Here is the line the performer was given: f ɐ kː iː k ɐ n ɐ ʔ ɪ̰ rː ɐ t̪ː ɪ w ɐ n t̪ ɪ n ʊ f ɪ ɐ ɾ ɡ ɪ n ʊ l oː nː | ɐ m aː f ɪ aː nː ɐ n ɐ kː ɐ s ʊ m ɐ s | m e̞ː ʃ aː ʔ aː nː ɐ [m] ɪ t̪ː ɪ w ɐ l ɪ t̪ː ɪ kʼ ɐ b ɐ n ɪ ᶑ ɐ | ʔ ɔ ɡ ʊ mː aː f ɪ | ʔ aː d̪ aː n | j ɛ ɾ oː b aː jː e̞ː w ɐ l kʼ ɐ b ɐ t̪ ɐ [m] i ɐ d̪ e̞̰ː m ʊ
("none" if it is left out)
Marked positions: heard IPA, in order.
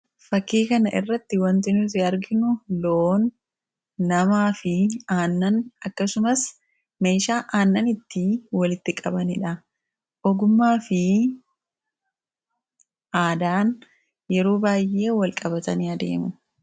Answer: n, n

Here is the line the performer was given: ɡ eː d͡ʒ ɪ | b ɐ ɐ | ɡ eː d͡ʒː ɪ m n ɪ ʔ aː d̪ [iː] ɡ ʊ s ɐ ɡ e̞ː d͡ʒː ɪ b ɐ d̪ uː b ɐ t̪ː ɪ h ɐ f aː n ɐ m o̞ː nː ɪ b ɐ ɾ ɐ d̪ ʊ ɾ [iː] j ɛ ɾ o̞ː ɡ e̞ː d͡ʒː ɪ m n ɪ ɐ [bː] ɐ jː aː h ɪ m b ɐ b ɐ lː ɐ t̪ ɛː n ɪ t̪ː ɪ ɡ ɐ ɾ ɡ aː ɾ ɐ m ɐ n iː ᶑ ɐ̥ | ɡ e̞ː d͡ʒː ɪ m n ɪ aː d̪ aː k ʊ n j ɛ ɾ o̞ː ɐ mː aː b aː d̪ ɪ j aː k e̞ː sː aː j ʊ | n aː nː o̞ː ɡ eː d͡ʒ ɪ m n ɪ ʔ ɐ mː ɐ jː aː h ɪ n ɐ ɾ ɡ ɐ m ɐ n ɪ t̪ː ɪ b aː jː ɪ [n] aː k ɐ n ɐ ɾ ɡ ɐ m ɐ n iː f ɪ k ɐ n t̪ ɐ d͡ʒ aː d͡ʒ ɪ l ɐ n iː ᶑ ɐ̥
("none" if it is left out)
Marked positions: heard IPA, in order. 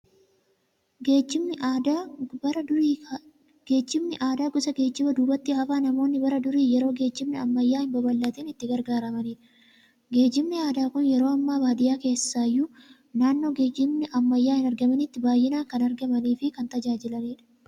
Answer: aː, iː, mː, n

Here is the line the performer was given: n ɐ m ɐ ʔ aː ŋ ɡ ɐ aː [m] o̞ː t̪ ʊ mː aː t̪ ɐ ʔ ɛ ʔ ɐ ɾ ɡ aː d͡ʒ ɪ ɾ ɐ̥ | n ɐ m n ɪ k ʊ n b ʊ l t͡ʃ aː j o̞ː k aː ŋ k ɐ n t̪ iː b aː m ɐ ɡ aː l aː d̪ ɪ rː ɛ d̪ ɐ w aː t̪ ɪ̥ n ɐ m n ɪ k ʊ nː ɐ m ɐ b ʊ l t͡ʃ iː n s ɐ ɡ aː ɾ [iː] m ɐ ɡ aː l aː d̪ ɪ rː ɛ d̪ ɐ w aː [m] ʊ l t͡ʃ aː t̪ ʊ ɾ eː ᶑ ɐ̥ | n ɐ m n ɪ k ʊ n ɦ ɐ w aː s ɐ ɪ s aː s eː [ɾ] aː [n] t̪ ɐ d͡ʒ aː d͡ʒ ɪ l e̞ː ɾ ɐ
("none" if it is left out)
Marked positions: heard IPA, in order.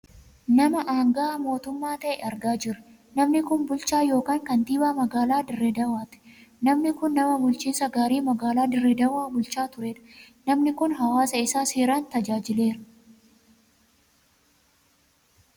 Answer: m, iː, b, ɾ, n

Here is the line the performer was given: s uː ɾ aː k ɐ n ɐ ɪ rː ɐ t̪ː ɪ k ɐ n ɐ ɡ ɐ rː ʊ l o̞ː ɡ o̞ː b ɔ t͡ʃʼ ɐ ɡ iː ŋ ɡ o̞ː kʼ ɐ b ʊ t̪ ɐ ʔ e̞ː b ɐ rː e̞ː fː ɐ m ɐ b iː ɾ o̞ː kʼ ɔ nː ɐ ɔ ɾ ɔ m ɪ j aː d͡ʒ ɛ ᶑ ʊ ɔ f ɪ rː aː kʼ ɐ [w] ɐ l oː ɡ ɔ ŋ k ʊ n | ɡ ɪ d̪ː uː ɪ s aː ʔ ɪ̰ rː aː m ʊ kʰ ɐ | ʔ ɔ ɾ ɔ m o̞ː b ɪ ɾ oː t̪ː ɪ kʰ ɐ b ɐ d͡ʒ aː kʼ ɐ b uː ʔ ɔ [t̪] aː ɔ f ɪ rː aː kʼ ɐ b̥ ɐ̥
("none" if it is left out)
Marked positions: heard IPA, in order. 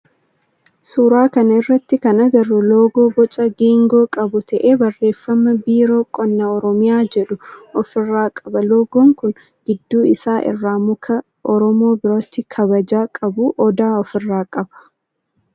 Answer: b, d̪

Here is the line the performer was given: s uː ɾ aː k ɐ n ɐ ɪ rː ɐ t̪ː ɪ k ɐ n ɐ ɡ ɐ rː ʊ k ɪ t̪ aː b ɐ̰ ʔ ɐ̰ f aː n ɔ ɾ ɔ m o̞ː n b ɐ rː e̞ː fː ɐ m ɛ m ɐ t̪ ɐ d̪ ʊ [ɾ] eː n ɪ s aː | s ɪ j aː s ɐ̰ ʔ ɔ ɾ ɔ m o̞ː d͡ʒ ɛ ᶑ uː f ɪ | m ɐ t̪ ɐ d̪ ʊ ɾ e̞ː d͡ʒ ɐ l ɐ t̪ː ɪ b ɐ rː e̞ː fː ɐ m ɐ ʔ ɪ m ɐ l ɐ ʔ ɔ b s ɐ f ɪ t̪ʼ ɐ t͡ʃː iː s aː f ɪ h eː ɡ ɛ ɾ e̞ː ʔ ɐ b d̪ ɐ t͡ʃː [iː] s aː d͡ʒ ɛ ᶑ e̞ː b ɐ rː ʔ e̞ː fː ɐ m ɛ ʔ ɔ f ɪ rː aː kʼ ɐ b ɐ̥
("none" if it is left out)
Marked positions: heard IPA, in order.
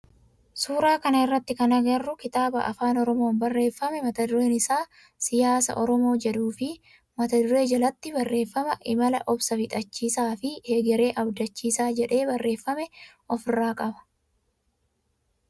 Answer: ɾ, iː

